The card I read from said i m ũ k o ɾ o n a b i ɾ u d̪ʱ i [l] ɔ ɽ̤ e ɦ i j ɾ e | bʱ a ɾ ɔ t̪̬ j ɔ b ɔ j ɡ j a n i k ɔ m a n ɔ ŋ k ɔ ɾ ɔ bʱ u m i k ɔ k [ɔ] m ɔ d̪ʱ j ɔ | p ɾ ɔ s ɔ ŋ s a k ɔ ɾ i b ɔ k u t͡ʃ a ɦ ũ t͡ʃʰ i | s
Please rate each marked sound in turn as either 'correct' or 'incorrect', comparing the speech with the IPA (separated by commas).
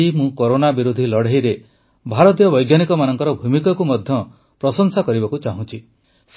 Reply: correct, incorrect